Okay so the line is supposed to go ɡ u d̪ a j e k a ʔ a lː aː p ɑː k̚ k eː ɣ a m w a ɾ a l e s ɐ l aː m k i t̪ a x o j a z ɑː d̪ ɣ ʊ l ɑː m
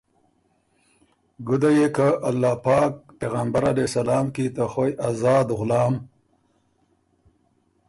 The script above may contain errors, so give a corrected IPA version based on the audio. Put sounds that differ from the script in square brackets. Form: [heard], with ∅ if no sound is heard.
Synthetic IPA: ɡ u d̪ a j e k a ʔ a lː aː p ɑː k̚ [p] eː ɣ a m [b] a ɾ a l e s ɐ l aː m k i t̪ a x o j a z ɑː d̪ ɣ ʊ l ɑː m